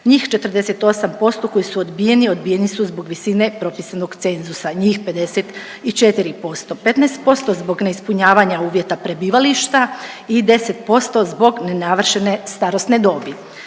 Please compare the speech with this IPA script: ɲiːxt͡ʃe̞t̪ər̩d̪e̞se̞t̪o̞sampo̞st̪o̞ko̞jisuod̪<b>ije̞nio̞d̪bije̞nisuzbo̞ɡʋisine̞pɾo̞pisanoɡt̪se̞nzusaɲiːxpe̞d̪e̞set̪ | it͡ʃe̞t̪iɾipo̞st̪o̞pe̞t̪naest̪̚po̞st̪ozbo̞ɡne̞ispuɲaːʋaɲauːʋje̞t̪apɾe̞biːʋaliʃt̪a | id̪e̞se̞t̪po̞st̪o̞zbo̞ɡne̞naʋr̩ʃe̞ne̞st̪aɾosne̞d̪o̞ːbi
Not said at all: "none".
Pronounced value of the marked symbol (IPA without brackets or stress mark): b